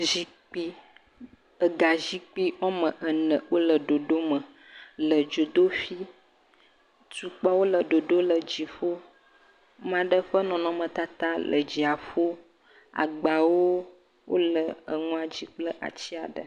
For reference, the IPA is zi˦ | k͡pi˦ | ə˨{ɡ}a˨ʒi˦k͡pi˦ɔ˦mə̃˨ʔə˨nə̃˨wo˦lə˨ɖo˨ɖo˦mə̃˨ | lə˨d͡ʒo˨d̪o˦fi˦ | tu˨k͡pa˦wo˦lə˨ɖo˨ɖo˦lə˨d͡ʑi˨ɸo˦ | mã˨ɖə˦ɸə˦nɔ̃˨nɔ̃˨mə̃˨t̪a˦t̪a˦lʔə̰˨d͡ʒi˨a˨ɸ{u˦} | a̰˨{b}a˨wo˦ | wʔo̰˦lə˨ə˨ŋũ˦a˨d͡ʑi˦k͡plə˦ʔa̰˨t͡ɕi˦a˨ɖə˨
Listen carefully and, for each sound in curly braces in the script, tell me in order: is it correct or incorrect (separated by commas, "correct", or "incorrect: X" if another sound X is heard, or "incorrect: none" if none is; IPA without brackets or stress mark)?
correct, incorrect: o˦, incorrect: ɡ͡b